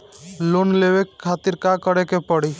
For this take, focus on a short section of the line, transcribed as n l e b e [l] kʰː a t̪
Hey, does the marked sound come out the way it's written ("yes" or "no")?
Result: no